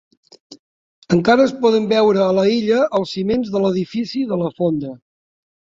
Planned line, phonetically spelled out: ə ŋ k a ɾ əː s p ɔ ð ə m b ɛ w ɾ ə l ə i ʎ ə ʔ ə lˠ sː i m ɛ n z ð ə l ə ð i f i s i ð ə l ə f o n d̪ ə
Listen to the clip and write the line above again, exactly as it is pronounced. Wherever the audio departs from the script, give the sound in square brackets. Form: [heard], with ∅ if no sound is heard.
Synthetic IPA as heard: ə ŋ k a ɾ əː s p ɔ ð ə m b ɛ w ɾ [əː] l ə i ʎ ə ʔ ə lˠ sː i m [e] n z ð ə l ə ð i f i s i ð ə l ə f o n d̪ ə